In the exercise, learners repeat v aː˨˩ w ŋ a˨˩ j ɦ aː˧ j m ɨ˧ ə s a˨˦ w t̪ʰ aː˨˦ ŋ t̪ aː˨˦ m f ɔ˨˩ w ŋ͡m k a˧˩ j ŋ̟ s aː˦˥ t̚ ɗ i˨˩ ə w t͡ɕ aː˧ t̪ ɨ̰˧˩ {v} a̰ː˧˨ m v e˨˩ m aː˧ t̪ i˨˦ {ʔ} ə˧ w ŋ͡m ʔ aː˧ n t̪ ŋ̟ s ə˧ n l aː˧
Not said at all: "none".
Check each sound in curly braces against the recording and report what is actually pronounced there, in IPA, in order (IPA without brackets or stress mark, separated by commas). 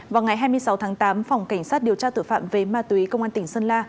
f, k